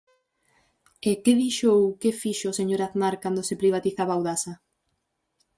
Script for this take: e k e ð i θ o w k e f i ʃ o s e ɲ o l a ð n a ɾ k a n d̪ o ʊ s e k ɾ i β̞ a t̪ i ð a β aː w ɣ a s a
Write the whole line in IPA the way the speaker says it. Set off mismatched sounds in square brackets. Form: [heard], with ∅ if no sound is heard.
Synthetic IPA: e k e ð i [ʃ] o w k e f i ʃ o s e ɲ o [ɾ] a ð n a ɾ k a n d̪ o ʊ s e [p] ɾ i β̞ a t̪ i [θ] a β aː w [ð] a s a